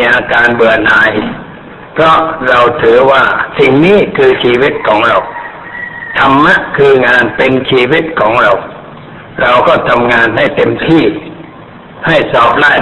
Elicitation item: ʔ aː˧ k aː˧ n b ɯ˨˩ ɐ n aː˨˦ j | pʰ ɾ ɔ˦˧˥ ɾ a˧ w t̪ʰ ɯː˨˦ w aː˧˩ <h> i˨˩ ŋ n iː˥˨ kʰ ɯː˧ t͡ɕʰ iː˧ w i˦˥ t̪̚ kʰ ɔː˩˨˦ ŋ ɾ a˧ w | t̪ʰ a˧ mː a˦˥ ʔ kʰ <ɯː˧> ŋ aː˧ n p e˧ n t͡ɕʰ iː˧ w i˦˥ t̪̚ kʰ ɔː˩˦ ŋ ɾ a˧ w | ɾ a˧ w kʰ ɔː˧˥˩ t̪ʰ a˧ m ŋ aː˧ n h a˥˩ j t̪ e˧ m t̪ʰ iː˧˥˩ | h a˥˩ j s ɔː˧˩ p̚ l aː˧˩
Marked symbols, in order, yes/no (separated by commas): no, yes